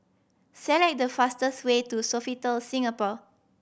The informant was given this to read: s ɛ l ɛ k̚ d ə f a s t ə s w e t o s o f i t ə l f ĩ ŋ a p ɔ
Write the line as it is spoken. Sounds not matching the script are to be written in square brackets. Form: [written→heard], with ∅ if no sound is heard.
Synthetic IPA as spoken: s ɛ l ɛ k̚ d ə f a s t ə s w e t [o→u] s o f i t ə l [f→s] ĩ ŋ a p ɔ